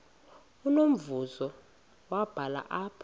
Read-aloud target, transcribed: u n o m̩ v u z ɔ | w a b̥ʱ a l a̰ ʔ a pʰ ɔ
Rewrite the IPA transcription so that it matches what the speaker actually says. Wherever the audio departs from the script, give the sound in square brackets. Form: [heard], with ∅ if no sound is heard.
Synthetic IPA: u n o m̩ v u z ɔ | w a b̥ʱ a l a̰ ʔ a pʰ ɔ